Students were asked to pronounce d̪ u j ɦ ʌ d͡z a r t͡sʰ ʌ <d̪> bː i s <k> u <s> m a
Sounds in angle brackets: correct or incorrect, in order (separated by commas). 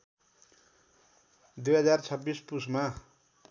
incorrect, incorrect, correct